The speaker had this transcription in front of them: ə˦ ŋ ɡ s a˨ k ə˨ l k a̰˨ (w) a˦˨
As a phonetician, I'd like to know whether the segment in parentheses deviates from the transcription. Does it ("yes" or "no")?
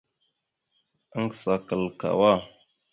no